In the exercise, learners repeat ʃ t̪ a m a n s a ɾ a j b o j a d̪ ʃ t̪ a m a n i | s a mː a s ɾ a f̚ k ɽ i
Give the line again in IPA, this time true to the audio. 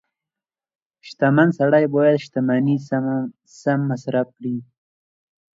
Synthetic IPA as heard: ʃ t̪ a m a n s a ɽ a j b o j a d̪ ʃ t̪ a m a n i | s a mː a s ɾ a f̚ k ɽ i